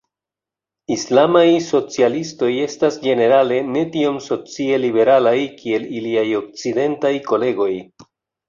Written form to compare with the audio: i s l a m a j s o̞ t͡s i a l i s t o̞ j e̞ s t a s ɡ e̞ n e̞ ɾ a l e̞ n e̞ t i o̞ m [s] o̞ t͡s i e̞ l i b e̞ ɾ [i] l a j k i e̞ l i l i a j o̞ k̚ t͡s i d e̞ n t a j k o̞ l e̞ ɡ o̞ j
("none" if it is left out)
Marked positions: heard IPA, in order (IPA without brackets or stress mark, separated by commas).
s, a